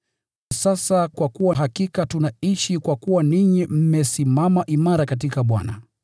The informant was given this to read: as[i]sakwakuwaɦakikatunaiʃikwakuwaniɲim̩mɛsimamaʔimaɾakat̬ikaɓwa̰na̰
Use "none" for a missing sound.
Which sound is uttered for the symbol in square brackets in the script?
a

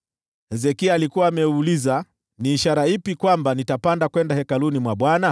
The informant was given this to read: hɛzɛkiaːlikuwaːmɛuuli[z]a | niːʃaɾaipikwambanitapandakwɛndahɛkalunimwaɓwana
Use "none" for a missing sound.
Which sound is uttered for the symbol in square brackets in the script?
z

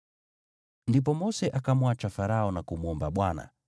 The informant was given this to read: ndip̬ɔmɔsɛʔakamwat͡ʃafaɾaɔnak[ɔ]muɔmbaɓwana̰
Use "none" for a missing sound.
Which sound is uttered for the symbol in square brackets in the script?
u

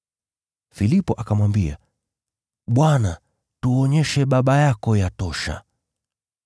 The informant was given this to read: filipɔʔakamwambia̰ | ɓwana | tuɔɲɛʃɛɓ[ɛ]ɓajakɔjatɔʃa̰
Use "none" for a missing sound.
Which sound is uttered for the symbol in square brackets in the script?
a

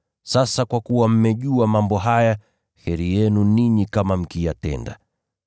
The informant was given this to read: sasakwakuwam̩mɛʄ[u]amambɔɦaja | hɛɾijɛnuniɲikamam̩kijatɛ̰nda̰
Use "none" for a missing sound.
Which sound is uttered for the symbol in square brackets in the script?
u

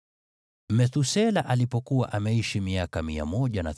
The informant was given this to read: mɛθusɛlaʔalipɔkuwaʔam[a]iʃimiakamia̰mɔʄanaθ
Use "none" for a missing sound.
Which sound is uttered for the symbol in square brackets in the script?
ɛ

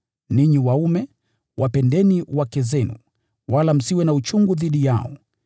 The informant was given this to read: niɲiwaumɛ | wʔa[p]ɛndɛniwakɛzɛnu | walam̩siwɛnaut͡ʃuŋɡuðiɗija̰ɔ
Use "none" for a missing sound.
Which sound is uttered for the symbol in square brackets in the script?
p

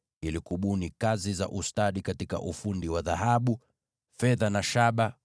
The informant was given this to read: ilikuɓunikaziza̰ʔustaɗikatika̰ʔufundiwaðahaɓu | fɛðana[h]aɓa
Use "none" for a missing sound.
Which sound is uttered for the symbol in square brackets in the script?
ʃ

